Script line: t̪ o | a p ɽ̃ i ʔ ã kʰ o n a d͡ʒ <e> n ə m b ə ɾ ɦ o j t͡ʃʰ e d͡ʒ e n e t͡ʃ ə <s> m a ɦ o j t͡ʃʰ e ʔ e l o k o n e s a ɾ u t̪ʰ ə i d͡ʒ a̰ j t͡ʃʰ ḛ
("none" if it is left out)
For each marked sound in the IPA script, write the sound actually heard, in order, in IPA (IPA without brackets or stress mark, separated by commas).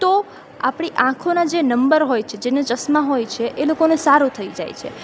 e, s